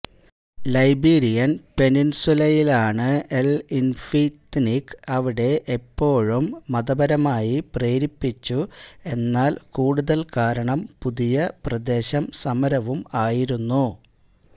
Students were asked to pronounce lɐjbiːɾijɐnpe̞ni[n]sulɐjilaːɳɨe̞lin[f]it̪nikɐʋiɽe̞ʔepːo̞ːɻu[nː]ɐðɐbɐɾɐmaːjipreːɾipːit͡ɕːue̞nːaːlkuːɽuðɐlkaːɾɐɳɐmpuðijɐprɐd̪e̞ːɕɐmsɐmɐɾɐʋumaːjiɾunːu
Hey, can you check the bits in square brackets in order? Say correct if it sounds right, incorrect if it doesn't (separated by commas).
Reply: correct, correct, incorrect